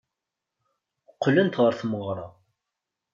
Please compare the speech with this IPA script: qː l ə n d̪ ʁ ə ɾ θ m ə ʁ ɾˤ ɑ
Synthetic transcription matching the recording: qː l ə n t̪ ʁ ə ɾ θ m ə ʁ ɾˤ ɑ